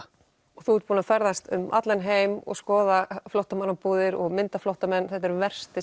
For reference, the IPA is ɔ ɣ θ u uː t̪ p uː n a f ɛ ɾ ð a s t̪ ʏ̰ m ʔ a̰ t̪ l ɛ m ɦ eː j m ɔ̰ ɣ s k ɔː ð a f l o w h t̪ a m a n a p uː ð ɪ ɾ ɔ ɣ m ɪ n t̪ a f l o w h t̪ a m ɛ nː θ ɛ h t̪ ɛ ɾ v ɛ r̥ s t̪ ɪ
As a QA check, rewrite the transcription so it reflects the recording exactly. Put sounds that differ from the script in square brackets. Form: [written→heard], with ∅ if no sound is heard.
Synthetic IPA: ɔ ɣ θ u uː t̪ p uː n a f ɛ ɾ ð a s t̪ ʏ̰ m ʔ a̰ t̪ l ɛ [m→n] ɦ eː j m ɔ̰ ɣ s k ɔː ð a f l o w h t̪ a m a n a p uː ð ɪ ɾ ɔ ɣ m ɪ n t̪ a f l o w h t̪ a m ɛ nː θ ɛ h t̪ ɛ ɾ v ɛ r̥ s t̪ ɪ